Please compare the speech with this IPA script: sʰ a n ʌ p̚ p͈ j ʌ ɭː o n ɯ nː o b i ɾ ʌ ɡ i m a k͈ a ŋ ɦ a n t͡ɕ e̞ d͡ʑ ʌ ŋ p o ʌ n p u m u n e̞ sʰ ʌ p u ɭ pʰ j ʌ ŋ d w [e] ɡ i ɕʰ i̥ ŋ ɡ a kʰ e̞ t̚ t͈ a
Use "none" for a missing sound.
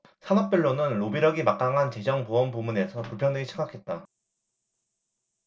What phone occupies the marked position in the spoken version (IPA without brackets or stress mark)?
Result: e